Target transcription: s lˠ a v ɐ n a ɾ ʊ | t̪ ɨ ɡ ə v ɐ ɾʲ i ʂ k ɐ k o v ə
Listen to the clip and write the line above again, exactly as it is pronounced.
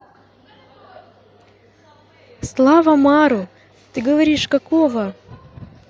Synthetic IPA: s lˠ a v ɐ m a ɾ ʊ | t̪ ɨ ɡ ə v ɐ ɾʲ i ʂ k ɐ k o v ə